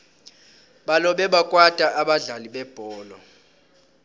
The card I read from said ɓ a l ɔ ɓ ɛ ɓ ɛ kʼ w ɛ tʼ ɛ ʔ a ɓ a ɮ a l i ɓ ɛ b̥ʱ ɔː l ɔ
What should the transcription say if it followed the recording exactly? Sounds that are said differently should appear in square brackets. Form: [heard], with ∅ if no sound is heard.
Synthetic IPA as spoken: ɓ a l ɔ ɓ ɛ ɓ [a] kʼ w [a] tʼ [a] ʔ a ɓ a ɮ a l i ɓ ɛ b̥ʱ ɔː l ɔ